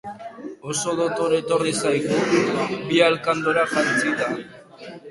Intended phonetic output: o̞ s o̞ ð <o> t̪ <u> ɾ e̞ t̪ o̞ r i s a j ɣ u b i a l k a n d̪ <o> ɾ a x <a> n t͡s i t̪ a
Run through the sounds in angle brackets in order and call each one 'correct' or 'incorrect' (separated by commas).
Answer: correct, incorrect, correct, correct